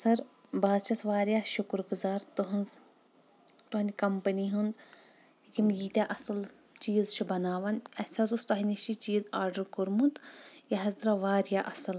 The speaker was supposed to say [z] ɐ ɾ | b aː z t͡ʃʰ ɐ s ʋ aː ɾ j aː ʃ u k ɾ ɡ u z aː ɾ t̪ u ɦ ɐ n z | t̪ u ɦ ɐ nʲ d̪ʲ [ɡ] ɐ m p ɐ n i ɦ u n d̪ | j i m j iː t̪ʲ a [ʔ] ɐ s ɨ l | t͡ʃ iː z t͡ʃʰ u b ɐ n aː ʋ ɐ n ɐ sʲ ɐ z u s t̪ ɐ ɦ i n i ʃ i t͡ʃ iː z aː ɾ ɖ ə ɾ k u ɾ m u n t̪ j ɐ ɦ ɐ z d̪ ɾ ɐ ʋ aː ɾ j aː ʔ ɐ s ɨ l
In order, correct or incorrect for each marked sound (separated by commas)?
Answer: incorrect, incorrect, correct